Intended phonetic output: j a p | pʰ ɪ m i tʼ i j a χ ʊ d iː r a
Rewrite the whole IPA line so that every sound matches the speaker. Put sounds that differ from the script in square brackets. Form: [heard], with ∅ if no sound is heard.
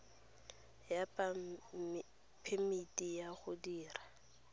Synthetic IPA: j a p | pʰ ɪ m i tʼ i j a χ ʊ d iː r a